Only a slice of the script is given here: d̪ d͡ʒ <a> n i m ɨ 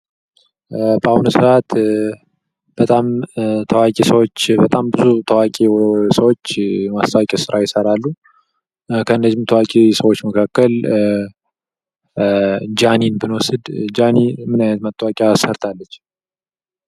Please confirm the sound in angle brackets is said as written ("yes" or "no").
yes